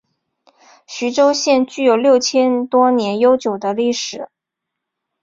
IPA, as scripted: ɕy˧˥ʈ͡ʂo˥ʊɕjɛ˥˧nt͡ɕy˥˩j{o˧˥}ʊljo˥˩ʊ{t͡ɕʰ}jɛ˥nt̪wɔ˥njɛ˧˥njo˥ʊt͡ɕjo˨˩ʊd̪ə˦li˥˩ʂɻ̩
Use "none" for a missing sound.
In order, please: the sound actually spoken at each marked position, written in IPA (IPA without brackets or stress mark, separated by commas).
o˨˩, t͡ɕʰ